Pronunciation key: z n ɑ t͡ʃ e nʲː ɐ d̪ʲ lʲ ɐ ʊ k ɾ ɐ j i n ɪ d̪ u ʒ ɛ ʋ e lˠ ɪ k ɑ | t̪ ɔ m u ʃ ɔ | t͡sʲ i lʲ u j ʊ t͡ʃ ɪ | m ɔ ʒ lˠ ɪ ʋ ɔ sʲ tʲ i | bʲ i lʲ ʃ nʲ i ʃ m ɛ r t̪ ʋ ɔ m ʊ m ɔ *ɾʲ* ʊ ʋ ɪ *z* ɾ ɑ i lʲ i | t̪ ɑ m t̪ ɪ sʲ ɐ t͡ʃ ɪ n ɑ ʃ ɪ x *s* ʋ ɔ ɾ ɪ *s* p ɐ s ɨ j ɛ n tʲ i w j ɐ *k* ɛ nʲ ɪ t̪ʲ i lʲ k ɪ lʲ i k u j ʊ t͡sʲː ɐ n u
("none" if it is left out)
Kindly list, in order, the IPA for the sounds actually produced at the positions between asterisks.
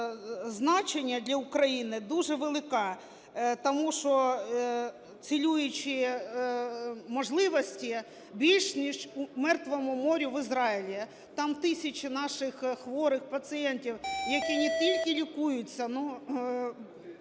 ɾʲ, z, x, x, k

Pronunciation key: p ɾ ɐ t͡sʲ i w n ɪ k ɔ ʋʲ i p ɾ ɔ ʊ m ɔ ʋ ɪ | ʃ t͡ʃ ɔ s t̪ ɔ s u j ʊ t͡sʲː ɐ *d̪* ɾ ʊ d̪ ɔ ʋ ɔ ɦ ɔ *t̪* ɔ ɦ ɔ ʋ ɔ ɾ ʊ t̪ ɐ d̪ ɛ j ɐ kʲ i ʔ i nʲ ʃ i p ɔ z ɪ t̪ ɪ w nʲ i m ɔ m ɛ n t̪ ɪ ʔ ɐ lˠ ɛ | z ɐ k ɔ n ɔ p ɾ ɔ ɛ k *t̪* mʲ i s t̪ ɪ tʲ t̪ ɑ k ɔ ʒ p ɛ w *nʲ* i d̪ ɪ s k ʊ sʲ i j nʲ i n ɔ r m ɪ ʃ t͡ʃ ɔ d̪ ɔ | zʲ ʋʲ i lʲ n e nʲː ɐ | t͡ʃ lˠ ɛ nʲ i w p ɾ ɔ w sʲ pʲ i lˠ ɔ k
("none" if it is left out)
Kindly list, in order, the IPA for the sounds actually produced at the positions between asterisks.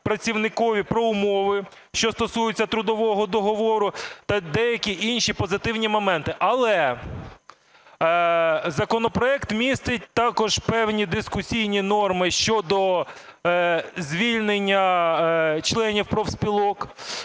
t̪, d̪, t̪, nʲ

